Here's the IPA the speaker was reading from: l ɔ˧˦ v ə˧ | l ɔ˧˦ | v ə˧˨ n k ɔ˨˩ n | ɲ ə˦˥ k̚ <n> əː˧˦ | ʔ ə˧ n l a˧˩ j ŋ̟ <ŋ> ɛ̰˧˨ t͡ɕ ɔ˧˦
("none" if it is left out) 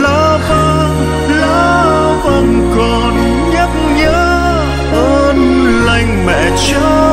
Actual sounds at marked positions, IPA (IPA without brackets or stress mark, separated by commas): ɲ, m